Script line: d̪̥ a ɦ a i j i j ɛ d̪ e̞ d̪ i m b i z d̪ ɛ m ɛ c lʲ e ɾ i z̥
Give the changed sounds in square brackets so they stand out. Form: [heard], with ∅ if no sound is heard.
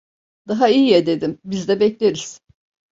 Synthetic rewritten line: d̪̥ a ɦ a i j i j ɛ d̪ e̞ d̪ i m b i z d̪ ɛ [b] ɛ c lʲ e ɾ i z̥